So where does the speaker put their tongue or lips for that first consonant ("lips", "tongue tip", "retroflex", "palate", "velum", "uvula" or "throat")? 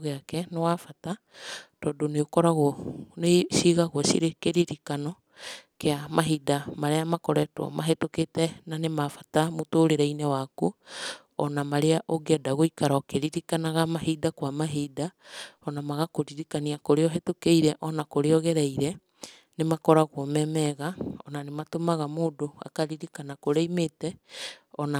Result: velum